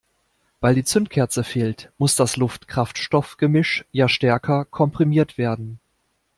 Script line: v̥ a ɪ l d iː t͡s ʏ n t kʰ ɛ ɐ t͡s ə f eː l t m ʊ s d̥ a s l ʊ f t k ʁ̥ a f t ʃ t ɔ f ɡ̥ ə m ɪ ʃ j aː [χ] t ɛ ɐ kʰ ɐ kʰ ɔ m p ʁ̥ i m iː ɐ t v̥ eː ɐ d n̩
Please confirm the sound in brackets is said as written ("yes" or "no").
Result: no